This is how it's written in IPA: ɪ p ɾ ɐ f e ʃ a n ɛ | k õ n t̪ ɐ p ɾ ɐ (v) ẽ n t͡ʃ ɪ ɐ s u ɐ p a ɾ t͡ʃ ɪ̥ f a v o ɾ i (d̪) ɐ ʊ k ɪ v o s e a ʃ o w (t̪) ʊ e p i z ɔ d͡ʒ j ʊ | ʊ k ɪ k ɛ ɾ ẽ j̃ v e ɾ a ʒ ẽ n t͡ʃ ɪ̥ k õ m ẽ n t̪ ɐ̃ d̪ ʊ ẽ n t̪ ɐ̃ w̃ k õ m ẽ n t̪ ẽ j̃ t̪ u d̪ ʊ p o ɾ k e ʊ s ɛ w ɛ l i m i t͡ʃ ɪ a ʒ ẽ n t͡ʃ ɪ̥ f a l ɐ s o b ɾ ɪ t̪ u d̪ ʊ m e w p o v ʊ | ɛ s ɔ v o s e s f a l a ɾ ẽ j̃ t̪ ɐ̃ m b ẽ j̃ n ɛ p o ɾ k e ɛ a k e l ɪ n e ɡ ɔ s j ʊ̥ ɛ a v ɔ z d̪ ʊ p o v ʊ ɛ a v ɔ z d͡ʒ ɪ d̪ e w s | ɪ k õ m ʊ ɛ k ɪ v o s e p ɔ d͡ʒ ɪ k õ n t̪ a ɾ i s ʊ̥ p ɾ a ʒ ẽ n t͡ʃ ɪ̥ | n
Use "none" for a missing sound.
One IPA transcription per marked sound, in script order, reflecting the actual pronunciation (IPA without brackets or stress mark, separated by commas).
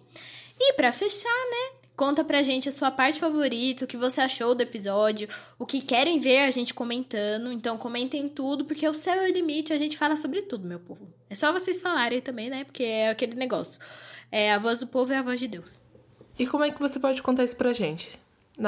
ʒ, t̪, d̪